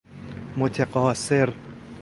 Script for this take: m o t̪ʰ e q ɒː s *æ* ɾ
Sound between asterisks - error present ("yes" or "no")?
yes